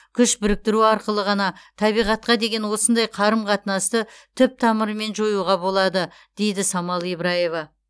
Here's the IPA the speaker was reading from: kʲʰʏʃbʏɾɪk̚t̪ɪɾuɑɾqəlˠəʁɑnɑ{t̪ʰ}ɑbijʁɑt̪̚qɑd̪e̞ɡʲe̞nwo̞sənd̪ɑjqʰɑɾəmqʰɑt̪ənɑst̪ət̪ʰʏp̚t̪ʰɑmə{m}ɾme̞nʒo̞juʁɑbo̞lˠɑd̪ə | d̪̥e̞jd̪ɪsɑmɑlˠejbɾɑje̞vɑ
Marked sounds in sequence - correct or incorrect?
correct, incorrect

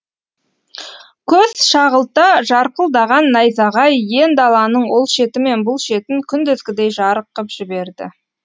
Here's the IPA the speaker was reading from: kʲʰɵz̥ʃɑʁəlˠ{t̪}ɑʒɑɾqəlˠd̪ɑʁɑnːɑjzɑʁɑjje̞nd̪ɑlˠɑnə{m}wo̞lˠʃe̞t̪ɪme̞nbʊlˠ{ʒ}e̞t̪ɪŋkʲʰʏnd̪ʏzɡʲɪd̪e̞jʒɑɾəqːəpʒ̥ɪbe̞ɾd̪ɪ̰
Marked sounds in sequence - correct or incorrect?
correct, incorrect, incorrect

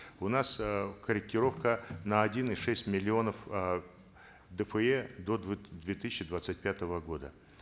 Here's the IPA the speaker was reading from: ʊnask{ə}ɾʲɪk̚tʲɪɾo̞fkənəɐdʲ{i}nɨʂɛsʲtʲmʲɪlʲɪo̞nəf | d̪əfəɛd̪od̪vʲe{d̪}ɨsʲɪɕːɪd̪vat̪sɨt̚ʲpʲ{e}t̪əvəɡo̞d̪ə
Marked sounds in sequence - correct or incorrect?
correct, correct, incorrect, incorrect

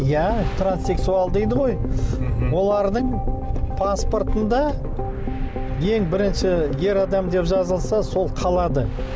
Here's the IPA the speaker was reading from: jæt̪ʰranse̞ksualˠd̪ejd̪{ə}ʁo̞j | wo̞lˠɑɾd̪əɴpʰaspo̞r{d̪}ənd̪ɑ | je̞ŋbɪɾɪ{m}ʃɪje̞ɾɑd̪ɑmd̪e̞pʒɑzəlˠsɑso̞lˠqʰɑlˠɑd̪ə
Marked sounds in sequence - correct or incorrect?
correct, incorrect, incorrect

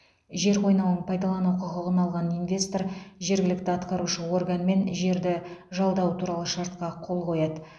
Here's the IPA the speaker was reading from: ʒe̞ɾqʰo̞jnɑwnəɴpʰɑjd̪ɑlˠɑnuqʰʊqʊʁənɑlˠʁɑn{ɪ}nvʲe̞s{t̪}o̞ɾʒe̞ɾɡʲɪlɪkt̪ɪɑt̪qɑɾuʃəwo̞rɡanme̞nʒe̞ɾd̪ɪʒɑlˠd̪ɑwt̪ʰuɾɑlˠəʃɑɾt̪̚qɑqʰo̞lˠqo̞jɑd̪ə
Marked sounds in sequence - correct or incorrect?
incorrect, correct

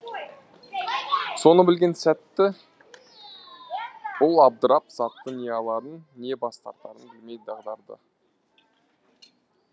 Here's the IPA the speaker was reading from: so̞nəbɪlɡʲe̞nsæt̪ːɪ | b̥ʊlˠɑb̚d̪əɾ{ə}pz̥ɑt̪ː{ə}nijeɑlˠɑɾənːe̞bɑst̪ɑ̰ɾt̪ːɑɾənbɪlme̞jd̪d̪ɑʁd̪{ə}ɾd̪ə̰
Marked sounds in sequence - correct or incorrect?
incorrect, correct, incorrect

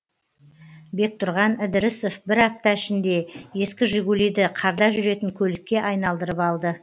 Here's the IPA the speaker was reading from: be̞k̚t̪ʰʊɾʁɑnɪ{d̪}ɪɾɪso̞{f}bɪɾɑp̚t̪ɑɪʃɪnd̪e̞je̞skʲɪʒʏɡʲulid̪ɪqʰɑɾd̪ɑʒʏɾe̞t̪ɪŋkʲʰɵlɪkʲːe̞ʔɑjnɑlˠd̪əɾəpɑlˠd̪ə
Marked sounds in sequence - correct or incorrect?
correct, correct

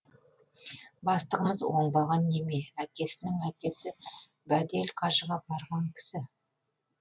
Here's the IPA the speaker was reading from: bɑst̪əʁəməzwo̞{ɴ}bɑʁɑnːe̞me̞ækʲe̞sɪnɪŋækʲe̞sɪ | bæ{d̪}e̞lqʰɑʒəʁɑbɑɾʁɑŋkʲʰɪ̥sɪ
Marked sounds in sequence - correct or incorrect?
correct, correct

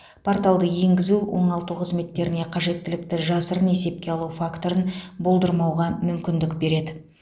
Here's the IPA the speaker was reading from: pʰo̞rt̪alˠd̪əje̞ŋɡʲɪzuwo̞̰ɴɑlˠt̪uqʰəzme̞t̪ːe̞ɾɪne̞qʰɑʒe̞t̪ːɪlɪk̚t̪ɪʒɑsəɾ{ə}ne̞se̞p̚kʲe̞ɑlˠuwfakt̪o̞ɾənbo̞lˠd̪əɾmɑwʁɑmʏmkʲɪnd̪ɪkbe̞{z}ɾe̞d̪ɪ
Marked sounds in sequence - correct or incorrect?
correct, incorrect

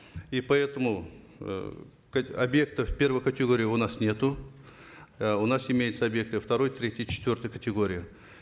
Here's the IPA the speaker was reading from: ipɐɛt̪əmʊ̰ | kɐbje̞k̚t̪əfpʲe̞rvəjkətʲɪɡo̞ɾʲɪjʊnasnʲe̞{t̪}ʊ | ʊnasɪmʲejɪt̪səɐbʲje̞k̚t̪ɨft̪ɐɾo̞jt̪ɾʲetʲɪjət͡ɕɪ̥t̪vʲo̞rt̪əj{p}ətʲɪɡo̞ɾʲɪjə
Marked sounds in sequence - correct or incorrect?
correct, incorrect

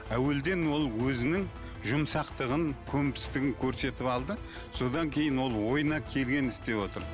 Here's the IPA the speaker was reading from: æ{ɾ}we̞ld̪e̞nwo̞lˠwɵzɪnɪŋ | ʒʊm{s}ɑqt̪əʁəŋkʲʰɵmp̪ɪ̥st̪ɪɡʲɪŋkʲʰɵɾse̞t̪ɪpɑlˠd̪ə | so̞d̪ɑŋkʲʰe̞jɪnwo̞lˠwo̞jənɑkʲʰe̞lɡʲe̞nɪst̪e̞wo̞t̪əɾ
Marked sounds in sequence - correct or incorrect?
incorrect, correct

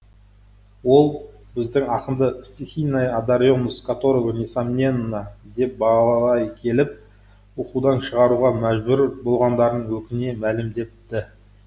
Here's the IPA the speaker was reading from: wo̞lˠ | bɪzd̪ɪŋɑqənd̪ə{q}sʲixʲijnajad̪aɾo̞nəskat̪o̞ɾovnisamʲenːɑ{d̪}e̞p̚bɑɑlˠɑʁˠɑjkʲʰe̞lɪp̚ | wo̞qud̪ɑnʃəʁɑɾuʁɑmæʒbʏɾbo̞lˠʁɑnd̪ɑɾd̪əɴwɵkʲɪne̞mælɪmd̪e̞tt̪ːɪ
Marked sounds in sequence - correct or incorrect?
incorrect, correct

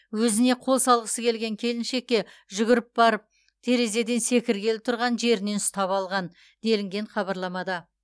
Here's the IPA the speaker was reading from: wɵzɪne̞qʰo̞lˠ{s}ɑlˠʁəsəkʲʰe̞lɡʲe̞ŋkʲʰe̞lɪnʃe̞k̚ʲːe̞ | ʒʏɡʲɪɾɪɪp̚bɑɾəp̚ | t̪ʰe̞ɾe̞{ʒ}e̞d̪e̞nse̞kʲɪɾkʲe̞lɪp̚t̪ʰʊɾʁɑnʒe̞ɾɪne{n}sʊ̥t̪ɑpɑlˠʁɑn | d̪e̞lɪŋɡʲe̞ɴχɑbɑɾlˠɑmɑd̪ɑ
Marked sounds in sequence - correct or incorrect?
correct, incorrect, correct

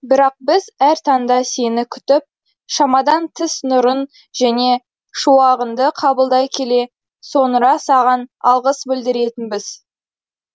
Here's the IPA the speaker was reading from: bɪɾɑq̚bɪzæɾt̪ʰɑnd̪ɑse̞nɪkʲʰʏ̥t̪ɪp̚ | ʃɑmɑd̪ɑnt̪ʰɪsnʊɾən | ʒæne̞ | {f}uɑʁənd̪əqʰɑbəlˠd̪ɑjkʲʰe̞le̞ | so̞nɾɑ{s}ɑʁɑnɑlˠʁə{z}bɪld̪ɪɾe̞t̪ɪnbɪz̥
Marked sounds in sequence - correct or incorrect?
incorrect, correct, incorrect

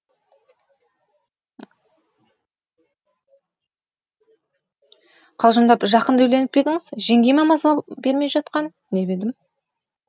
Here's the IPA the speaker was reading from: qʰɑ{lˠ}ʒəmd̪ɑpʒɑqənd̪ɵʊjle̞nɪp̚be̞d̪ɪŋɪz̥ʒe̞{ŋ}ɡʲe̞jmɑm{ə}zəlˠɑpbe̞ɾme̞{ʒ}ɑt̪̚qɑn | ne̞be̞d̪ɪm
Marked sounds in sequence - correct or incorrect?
correct, correct, incorrect, correct

